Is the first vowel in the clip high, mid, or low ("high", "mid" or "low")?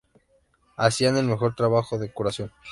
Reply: low